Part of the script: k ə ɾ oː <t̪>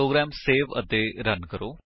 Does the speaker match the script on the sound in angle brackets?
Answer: no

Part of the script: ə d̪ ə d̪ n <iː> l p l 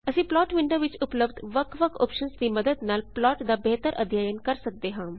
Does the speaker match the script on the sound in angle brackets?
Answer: no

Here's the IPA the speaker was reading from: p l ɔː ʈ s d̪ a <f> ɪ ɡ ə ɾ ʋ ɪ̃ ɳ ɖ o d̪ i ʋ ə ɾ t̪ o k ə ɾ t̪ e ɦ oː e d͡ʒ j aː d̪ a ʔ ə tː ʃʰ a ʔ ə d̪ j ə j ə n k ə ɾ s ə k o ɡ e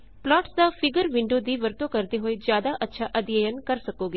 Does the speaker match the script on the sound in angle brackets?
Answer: yes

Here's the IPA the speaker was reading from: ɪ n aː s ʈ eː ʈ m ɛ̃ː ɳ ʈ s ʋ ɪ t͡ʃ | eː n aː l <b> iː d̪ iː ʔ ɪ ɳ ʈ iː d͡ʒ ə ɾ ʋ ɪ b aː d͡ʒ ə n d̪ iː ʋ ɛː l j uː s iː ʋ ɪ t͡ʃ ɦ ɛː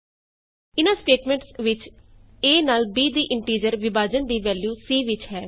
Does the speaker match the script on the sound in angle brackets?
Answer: yes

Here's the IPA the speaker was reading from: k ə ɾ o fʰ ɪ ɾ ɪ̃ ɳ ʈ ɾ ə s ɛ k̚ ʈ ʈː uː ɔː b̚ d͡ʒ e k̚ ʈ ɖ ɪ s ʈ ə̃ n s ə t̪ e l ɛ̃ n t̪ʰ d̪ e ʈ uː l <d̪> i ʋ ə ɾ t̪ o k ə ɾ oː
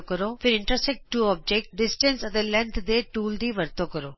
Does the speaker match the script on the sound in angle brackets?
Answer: yes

